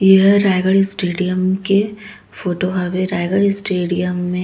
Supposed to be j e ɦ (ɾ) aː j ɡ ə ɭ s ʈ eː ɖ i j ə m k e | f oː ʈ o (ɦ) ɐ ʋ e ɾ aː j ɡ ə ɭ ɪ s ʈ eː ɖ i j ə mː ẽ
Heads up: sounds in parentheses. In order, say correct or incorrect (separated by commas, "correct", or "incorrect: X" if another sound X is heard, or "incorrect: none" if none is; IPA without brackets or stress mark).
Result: correct, correct